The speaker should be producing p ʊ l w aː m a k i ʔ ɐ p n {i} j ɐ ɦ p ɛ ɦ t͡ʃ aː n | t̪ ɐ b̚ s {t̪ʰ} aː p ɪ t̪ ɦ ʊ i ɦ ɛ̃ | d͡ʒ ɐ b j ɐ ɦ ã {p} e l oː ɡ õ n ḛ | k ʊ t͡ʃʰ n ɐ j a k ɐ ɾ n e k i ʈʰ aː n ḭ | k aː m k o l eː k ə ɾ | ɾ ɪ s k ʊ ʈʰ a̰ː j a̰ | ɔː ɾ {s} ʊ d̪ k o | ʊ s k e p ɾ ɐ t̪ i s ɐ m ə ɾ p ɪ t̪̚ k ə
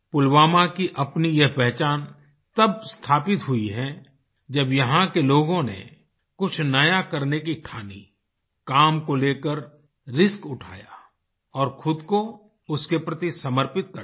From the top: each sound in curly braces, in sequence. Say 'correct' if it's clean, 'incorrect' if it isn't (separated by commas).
correct, correct, incorrect, incorrect